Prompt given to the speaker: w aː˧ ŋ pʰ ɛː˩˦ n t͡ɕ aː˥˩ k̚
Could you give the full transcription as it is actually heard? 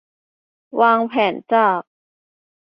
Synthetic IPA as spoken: w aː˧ ŋ pʰ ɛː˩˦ n t͡ɕ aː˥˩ k̚

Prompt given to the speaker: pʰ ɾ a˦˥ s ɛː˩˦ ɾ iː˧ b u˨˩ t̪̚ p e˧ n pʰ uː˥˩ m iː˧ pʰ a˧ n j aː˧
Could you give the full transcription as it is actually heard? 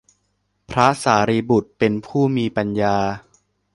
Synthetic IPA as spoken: pʰ ɾ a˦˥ s aː˩˦ ɾ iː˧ b u˨˩ t̪̚ p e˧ n pʰ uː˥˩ m iː˧ p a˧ n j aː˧

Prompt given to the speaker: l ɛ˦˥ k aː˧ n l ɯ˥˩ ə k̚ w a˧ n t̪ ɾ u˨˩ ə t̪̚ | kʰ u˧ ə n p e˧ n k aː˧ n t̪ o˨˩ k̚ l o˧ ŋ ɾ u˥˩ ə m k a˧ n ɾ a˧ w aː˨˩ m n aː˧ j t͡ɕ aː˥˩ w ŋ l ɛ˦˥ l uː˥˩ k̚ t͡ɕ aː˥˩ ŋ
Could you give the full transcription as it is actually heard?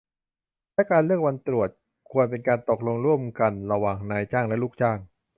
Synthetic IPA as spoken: l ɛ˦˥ k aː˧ n l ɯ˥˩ ə k̚ w a˧ n t̪ ɾ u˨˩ ə t̪̚ | kʰ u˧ ə n p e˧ n k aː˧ n t̪ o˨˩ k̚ l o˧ ŋ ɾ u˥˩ ə m k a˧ n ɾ a˧ w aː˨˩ ŋ n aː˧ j t͡ɕ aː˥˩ ŋ l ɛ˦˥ l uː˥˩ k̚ t͡ɕ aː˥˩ ŋ

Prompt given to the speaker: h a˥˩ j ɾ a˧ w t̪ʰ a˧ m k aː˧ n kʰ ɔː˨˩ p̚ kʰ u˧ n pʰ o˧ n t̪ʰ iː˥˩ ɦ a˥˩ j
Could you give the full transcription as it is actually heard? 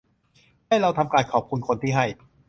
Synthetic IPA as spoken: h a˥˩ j ɾ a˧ w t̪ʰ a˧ m k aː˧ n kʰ ɔː˨˩ p̚ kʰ u˧ n kʰ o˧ n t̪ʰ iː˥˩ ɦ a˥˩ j

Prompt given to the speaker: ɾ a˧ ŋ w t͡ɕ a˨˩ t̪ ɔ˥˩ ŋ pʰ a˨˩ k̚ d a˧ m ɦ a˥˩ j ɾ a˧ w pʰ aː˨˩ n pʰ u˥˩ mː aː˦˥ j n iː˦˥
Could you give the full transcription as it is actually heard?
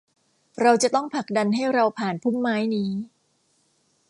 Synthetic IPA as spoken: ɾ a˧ w t͡ɕ a˨˩ t̪ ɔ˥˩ ŋ pʰ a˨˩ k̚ d a˧ n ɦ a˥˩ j ɾ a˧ w pʰ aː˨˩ n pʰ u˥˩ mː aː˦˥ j n iː˦˥

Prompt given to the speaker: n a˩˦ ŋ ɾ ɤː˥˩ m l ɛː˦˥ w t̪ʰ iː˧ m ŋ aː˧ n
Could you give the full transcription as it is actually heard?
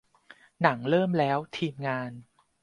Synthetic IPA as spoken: n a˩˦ ŋ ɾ ɤː˥˩ m l ɛː˦˥ w t̪ʰ iː˧ m ŋ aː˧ n

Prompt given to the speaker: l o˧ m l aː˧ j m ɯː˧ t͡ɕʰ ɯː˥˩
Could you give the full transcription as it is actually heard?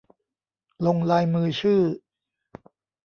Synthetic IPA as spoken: l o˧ ŋ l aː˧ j m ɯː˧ t͡ɕʰ ɯː˥˩

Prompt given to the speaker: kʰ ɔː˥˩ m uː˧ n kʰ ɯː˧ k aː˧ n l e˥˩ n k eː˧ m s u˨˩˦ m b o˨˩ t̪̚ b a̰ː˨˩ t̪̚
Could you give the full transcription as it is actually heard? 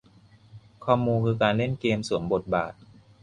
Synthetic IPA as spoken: kʰ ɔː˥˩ m uː˧ n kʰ ɯː˧ k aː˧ n l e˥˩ n k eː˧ m s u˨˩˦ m b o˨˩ t̪̚ b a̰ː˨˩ t̪̚

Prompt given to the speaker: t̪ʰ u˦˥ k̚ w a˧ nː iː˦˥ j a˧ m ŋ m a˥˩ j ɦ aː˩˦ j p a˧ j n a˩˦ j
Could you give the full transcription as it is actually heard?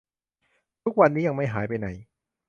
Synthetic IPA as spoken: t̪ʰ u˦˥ k̚ w a˧ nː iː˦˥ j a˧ ŋ m a˥˩ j ɦ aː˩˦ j p a˧ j n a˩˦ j

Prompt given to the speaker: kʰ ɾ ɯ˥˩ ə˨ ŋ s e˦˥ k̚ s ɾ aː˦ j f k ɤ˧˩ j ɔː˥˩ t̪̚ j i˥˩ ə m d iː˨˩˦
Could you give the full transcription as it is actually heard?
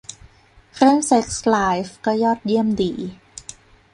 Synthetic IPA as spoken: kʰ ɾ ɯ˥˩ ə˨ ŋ s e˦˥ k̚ s l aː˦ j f k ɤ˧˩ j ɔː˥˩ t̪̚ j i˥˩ ə m d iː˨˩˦

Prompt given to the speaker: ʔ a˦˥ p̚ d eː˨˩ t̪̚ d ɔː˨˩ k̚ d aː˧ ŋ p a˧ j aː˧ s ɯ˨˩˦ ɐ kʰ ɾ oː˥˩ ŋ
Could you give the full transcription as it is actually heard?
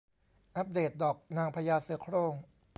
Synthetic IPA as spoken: ʔ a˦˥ p̚ d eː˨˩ t̪̚ d ɔː˨˩ k̚ n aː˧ ŋ pʰ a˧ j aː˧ s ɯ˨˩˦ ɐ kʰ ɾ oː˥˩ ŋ

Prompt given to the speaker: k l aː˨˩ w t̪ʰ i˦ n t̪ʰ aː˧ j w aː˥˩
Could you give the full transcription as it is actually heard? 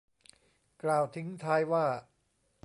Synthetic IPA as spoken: k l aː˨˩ w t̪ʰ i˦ ŋ t̪ʰ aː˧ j w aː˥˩

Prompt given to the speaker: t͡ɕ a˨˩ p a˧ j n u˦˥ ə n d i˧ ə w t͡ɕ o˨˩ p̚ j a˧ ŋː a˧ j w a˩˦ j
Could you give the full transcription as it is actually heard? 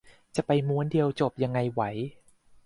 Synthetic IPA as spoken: t͡ɕ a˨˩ p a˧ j m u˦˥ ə n d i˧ ə w t͡ɕ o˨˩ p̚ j a˧ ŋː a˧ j w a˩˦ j

